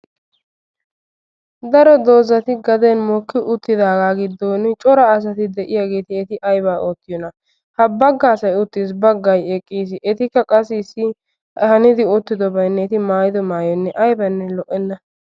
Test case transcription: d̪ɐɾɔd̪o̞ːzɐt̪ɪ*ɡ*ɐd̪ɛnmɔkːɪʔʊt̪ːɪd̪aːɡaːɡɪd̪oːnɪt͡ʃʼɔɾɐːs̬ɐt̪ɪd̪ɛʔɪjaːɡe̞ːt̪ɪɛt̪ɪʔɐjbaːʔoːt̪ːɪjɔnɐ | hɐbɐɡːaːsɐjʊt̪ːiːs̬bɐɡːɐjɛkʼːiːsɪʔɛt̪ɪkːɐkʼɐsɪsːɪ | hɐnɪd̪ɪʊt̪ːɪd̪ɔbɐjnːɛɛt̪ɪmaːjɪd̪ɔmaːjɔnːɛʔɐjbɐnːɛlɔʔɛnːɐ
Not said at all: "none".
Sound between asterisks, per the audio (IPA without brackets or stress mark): ɡ